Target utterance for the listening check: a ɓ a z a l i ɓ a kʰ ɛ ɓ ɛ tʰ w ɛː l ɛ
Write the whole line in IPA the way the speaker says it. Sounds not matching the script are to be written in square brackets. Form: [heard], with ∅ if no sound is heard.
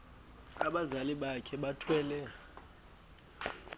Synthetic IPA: a ɓ a z a l i ɓ a kʰ ɛ ɓ [a] tʰ w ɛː l ɛ